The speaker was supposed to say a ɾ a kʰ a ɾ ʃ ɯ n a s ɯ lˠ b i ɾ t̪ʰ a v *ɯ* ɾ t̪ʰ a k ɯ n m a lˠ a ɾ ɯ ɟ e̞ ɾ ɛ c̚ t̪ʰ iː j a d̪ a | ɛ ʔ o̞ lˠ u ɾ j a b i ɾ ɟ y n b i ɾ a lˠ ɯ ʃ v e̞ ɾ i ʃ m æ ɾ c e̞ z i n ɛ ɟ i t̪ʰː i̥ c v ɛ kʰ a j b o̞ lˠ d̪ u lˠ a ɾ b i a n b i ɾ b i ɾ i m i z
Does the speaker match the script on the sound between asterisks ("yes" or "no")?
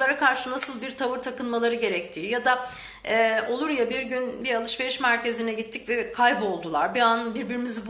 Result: yes